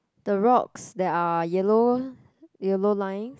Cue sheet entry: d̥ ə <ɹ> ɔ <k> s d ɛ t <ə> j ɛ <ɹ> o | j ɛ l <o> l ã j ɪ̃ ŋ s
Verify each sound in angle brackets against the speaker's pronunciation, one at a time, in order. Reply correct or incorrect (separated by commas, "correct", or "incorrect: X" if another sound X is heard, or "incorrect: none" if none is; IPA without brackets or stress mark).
correct, correct, incorrect: a, incorrect: l, correct